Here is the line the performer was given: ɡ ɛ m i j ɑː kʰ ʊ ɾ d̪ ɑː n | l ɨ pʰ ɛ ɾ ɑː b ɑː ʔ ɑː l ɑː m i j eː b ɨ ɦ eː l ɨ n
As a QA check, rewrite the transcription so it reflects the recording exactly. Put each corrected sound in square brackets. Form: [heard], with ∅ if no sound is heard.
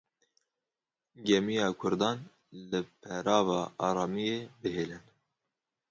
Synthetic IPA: ɡ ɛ m i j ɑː kʰ ʊ ɾ d̪ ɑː n | l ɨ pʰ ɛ ɾ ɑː [v] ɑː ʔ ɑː [ɾ] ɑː m i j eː b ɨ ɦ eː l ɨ n